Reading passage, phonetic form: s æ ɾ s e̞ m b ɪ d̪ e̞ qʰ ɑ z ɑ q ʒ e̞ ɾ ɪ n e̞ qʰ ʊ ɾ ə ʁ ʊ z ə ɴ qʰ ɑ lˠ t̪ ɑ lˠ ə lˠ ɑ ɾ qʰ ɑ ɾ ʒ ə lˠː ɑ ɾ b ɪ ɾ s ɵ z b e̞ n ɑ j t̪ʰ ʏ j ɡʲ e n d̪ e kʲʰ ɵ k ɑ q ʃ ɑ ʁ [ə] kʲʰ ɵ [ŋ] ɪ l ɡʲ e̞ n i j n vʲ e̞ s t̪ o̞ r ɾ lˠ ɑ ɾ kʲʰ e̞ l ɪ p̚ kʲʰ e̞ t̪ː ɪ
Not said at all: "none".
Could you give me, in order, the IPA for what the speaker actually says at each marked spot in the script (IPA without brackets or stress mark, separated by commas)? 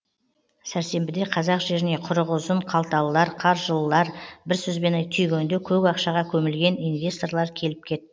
ɑ, m